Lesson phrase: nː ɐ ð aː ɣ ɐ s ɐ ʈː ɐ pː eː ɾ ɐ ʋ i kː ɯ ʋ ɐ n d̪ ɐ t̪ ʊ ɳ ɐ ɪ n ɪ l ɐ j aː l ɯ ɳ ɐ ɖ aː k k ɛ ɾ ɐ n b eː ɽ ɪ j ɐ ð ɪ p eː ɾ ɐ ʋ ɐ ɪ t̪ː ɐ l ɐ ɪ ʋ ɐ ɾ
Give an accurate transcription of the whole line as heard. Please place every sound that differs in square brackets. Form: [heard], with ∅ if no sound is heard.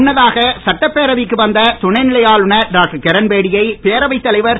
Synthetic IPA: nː ɐ ð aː ɣ ɐ s ɐ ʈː ɐ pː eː ɾ ɐ ʋ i kː ɯ ʋ ɐ n d̪ ɐ t̪ ʊ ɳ ɐ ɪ n ɪ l ɐ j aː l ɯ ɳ ɐ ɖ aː k k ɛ ɾ ɐ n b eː ɽ ɪ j ɐ [∅] ɪ p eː ɾ ɐ ʋ ɐ ɪ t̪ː ɐ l ɐ ɪ ʋ ɐ ɾ